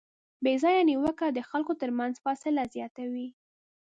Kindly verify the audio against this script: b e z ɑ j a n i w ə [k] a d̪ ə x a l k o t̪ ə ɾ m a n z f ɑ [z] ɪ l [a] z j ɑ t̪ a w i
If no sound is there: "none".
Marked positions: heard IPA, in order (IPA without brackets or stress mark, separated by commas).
k, s, a